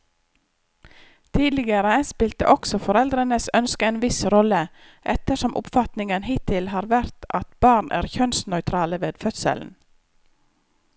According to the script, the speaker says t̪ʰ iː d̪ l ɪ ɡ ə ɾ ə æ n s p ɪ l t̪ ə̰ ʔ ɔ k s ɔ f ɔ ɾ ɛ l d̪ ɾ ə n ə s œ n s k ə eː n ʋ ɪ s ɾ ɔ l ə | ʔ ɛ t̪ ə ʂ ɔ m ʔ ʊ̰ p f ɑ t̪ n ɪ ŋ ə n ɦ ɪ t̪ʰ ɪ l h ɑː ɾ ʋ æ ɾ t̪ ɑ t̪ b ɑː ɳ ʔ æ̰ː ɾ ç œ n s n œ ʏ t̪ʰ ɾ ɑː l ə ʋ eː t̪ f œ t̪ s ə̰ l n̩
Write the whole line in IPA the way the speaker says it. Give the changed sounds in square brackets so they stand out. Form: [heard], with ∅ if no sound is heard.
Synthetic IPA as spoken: t̪ʰ iː d̪ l ɪ ɡ ə ɾ ə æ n s p ɪ l t̪ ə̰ ʔ ɔ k s ɔ f ɔ ɾ ɛ l d̪ ɾ ə n ə s œ n s k ə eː n ʋ ɪ s ɾ ɔ l ə | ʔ ɛ t̪ ə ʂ ɔ m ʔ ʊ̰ p f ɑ t̪ n ɪ ŋ ə n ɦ ɪ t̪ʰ ɪ l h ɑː ɾ ʋ æ ɾ t̪ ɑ t̪ b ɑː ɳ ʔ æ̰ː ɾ ç œ n s n œ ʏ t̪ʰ ɾ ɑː l ə ʋ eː [d̪] f œ t̪ s ə̰ l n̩

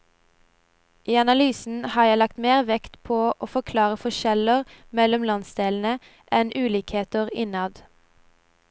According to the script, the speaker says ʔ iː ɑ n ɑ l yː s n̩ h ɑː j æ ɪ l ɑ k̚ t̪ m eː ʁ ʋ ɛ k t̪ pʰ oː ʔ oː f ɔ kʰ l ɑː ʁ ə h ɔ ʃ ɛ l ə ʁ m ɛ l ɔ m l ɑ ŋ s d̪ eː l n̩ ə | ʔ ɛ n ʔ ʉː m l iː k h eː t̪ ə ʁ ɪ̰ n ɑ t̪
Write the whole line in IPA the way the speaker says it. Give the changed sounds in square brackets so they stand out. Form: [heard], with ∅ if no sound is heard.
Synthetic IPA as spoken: ʔ iː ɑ n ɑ l yː s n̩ h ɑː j æ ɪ l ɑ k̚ t̪ m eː ʁ ʋ ɛ k t̪ pʰ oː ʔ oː f ɔ kʰ l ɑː ʁ ə [f] ɔ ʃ ɛ l ə ʁ m ɛ l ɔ m l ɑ [n] s d̪ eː l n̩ ə | ʔ ɛ n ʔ ʉː [∅] l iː k h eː t̪ ə ʁ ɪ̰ n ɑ [d̪]

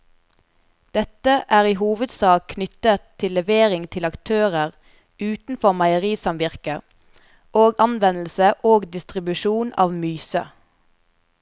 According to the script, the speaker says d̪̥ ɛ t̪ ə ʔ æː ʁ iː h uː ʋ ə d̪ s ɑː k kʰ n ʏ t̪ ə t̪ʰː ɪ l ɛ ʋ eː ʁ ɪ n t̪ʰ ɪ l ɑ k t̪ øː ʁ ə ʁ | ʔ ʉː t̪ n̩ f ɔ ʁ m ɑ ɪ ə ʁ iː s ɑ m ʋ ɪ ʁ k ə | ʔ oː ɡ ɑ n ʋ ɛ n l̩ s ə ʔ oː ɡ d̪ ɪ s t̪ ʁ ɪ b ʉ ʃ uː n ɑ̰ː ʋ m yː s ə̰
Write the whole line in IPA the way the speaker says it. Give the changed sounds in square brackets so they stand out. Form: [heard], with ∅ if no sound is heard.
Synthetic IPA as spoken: d̪̥ ɛ t̪ ə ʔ æː ʁ iː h uː ʋ ə d̪ s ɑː k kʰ n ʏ t̪ ə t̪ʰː ɪ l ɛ ʋ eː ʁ ɪ [ŋ] t̪ʰ ɪ l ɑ k [t̪ʰ] øː ʁ ə ʁ | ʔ ʉː t̪ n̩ f ɔ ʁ m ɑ ɪ ə ʁ iː s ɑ m ʋ ɪ ʁ k ə | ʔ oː ɡ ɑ n ʋ ɛ n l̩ s ə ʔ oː ɡ d̪ ɪ s t̪ ʁ ɪ b ʉ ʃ uː n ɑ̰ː ʋ m yː s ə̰

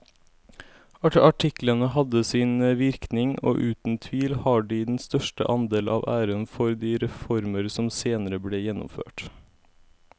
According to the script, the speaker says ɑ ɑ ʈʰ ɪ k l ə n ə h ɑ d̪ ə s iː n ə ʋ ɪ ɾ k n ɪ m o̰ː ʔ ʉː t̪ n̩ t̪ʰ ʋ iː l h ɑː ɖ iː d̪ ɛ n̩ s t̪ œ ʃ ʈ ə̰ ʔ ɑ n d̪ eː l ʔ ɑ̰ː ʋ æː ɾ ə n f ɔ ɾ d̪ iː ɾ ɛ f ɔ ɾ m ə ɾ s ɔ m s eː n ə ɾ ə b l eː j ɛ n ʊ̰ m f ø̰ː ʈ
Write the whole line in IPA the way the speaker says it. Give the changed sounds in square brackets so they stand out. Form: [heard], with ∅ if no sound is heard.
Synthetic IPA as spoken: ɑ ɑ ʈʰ ɪ k l ə n ə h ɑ d̪ ə s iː n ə ʋ ɪ ɾ k n ɪ [ŋ] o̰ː ʔ ʉː t̪ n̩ t̪ʰ ʋ iː l h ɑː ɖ iː d̪ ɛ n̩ s t̪ œ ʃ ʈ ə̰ ʔ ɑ n d̪ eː l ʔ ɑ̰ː ʋ æː ɾ ə n f ɔ ɾ d̪ iː ɾ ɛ f ɔ ɾ m ə ɾ s ɔ m s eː n ə ɾ ə b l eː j ɛ n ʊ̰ m f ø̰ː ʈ

